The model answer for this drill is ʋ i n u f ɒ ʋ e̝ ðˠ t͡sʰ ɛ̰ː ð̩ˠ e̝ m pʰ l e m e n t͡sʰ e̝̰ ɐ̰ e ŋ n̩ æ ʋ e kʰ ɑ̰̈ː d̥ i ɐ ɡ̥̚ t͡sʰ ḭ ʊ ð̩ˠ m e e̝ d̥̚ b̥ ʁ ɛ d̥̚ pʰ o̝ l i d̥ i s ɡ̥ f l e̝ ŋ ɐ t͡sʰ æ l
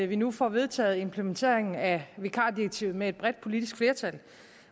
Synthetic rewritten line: ʋ i n u f ɒ ʋ e̝ ðˠ t͡sʰ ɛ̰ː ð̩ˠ e̝ m pʰ l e m e n t͡sʰ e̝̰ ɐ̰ e ŋ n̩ æ ʋ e kʰ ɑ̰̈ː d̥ i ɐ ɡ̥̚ t͡sʰ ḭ ʊ ð̩ˠ m e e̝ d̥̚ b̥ ʁ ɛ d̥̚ pʰ o̝ l i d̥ i s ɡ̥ f l e̝ ɐ t͡sʰ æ l